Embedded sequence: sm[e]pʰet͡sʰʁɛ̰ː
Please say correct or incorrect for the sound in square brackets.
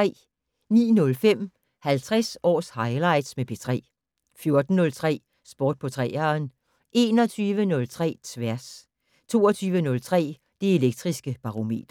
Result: correct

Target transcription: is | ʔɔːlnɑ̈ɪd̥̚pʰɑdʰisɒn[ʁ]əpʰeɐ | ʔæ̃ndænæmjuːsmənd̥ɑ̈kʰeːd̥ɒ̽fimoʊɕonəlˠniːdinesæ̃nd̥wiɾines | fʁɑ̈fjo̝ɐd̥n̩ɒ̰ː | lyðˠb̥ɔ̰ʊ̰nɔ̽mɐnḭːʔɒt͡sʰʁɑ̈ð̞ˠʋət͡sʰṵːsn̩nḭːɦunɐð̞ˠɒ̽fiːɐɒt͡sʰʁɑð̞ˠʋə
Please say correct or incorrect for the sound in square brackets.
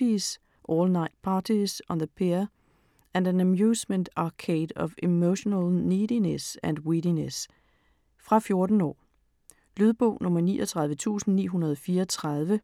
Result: incorrect: ð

